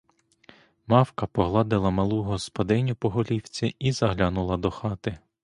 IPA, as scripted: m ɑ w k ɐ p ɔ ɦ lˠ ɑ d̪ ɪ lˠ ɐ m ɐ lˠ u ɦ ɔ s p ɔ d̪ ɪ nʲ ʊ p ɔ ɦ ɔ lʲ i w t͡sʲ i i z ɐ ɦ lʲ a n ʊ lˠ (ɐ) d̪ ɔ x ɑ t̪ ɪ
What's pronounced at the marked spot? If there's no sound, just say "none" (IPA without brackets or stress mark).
ɐ